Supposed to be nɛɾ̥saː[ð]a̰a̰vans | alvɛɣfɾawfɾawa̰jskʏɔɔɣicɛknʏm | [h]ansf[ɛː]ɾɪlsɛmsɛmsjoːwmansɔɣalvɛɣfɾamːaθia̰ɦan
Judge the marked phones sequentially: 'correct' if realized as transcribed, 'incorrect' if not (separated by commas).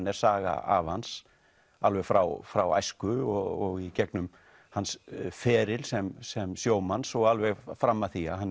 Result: incorrect, correct, correct